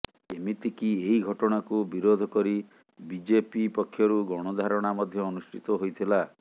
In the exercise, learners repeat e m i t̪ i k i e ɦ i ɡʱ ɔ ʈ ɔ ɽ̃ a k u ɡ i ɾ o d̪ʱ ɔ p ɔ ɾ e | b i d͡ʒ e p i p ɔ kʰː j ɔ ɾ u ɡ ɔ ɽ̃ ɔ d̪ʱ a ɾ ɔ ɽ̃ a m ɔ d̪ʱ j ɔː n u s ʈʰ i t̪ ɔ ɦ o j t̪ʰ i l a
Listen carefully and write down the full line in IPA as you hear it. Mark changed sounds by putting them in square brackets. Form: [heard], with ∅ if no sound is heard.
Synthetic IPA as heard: e m i t̪ i k i e ɦ i ɡʱ ɔ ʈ ɔ ɽ̃ a k u [b] i ɾ o d̪ʱ ɔ [k] ɔ ɾ [i] | b i d͡ʒ e p i p ɔ kʰː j ɔ ɾ u ɡ ɔ ɽ̃ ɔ d̪ʱ a ɾ ɔ ɽ̃ a m ɔ d̪ʱ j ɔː n u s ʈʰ i t̪ ɔ ɦ o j t̪ʰ i l a